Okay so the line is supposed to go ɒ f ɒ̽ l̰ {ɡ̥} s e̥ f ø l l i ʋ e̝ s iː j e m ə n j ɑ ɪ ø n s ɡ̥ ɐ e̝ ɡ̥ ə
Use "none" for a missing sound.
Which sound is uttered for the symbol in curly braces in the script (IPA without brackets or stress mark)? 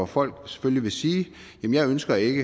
ɡ̥